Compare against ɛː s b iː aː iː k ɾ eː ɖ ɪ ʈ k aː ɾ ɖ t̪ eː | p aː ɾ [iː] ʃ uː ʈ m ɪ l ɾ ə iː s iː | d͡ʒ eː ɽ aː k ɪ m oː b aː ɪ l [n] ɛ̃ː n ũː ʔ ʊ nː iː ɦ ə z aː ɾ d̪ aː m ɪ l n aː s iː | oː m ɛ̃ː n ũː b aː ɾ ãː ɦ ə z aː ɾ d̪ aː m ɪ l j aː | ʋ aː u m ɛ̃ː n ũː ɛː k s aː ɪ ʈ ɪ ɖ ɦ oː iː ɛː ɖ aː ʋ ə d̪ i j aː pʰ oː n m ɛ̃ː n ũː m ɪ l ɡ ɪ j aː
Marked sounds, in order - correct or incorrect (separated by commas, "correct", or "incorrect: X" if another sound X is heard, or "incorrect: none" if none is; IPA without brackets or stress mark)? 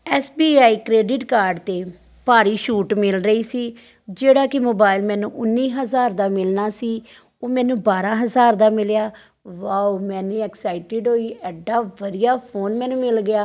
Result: correct, incorrect: m